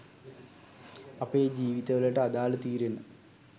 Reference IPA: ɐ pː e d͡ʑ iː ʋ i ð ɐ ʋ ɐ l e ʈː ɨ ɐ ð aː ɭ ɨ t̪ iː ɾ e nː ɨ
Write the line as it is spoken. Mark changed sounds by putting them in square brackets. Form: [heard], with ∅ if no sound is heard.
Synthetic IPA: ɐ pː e d͡ʑ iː ʋ i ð ɐ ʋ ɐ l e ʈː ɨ ɐ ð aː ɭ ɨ t̪ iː ɾ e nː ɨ